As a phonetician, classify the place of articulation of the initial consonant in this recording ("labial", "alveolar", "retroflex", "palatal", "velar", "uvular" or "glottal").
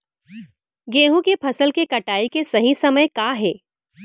velar